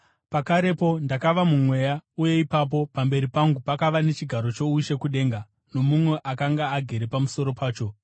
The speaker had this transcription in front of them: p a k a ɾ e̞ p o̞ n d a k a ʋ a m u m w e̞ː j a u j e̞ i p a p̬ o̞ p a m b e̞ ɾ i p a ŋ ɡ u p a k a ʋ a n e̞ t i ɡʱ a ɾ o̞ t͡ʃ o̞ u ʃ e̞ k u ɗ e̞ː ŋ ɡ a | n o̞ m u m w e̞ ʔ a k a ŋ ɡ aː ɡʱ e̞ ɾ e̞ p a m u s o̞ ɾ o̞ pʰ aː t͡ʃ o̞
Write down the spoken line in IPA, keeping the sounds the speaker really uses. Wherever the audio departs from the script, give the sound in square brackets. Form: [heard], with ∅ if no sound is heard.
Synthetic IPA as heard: p a k a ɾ e̞ p o̞ n d a k a ʋ a m u m w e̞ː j a u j e̞ i p a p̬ o̞ p a m b e̞ ɾ i p a ŋ ɡ u p a k a ʋ a n e̞ [t͡ʃ] i ɡʱ a ɾ o̞ t͡ʃ o̞ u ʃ e̞ k u ɗ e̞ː ŋ ɡ a | n o̞ m u m w e̞ ʔ a k a ŋ ɡ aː ɡʱ e̞ ɾ e̞ p a m u s o̞ ɾ o̞ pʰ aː t͡ʃ o̞